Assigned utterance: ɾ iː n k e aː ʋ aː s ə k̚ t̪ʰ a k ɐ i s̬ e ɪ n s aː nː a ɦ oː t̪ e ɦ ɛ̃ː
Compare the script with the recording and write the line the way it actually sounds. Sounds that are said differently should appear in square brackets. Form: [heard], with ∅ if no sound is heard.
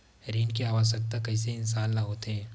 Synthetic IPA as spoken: ɾ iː n k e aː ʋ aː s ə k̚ [t̪] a k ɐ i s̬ e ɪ n s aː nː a ɦ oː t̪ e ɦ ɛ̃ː